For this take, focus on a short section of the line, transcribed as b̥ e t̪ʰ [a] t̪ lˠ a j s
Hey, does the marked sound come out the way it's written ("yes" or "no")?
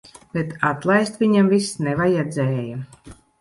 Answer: yes